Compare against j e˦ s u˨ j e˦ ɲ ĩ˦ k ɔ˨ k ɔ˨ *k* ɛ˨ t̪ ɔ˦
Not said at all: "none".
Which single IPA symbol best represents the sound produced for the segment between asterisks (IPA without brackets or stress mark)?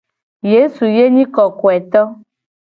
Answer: none